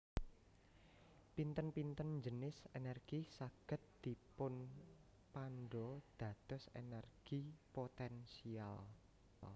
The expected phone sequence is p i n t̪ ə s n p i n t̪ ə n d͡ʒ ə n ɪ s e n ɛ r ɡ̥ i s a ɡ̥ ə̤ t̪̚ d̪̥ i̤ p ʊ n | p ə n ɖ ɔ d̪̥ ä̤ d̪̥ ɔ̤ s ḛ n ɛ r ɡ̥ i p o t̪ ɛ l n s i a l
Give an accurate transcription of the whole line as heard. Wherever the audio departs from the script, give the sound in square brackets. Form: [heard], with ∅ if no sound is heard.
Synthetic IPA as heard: p i n t̪ ə [∅] n p i n t̪ ə n d͡ʒ ə n ɪ s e n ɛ r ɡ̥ i s a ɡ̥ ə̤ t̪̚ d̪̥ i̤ p ʊ n | p [a] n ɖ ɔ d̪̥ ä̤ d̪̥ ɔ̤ s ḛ n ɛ r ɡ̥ i p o t̪ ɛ [∅] n s i a l

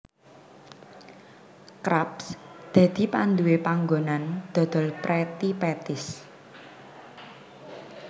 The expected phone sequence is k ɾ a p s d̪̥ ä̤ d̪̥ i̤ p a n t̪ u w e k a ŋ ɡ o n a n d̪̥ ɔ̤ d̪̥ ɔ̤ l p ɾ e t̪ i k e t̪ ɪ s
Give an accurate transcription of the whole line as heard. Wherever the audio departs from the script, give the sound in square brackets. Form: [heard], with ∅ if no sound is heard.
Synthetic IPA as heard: k ɾ a p s d̪̥ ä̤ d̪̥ i̤ p a n [d̪] u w e [p] a ŋ ɡ o n a n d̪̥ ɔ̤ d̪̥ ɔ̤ l p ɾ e t̪ i [p] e t̪ ɪ s

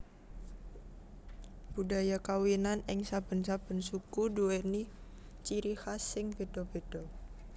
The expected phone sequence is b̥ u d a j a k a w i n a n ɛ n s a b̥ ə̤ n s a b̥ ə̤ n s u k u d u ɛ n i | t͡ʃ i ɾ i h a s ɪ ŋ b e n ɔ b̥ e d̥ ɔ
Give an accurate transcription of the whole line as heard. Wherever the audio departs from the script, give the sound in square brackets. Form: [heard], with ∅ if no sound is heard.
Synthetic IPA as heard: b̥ u d a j a k a w i n a n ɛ [ŋ] s a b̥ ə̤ n s a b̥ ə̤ n s u k u d u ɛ n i | t͡ʃ i ɾ i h a s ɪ ŋ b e [d] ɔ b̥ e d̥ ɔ

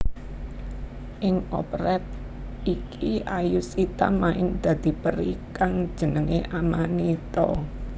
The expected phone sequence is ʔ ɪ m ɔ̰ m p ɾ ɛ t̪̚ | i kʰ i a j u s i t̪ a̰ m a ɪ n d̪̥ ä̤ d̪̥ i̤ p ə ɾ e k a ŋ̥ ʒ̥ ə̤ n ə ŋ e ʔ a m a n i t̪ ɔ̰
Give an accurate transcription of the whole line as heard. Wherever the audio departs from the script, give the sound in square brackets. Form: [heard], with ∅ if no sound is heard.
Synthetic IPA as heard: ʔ ɪ [ŋ] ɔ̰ [∅] p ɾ ɛ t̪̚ | i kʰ i a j u s i t̪ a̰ m a ɪ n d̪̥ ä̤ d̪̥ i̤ p ə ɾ [i] k a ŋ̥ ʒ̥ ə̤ n ə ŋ e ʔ a m a n i t̪ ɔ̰

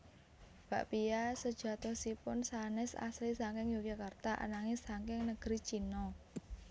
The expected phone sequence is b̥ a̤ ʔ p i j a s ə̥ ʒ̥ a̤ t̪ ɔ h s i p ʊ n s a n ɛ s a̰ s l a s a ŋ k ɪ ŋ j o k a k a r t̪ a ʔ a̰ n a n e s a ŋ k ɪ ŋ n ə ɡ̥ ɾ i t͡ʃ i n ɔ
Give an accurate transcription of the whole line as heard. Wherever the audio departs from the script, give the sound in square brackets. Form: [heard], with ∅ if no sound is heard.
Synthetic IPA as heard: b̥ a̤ ʔ p i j a s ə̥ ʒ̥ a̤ t̪ ɔ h s i p ʊ n s a n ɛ s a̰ s l [i] s a ŋ k ɪ ŋ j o k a k a r t̪ a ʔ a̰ n a [ŋ] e s a ŋ k ɪ ŋ n ə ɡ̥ ɾ i t͡ʃ i n ɔ

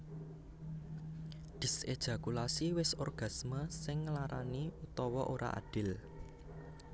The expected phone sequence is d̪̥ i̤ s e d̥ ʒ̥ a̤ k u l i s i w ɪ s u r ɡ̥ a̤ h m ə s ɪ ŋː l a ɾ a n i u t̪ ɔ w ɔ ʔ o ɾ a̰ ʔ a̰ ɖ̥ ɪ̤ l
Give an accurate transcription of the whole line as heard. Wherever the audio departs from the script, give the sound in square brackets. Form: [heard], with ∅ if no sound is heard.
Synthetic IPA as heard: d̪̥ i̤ s e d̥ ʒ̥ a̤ k u l [a] s i w ɪ s [ɔ] r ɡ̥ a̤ [s] m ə s ɪ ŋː l a ɾ a n i u t̪ ɔ w ɔ ʔ o ɾ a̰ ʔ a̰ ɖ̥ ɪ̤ l

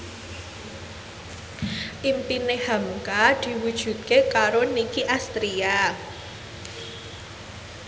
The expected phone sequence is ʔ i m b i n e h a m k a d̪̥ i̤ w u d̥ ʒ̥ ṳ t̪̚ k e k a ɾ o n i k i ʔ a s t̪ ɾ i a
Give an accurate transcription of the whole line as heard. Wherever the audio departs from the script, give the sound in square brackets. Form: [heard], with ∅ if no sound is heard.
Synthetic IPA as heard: ʔ i m [p] i n e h a m k a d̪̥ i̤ w u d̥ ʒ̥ ṳ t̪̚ k e k a ɾ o n i k i ʔ a s t̪ ɾ i a

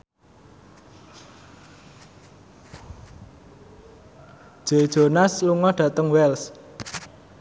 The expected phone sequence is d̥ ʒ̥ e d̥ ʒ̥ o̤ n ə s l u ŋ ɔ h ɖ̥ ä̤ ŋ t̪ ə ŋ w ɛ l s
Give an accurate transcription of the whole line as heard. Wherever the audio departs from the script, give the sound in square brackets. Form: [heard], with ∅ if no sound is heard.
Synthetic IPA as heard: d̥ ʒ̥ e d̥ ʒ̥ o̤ n [a] s l u ŋ ɔ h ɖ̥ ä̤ [∅] t̪ ə ŋ w ɛ l s

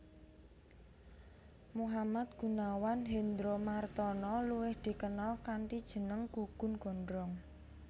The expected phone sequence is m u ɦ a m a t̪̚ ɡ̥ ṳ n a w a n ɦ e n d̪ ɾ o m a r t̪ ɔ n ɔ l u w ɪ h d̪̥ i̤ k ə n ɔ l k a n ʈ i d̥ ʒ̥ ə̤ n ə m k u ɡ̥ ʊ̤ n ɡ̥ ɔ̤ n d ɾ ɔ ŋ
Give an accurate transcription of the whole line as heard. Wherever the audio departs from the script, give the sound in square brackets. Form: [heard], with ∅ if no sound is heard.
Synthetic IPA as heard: m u ɦ a m a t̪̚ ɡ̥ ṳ n a w a n ɦ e n d̪ ɾ o m a r t̪ ɔ n ɔ l u w ɪ h d̪̥ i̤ k ə n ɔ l k a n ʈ i d̥ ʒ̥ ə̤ n ə [ŋ] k u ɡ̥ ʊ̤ n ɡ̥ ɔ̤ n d ɾ ɔ ŋ

